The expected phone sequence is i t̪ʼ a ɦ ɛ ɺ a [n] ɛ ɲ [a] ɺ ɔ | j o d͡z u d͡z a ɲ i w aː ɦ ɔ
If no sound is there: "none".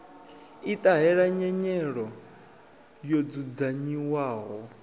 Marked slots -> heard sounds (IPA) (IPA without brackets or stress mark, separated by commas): ɲ, ɛ